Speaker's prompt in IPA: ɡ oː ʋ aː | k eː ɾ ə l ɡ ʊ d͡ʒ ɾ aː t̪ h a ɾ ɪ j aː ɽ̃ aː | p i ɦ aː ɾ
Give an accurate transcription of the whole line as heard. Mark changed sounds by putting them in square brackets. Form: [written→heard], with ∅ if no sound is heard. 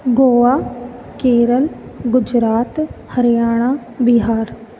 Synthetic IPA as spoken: ɡ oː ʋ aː | k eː ɾ ə l ɡ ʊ d͡ʒ ɾ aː t̪ h [a→ə] ɾ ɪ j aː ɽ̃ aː | [p→b] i ɦ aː ɾ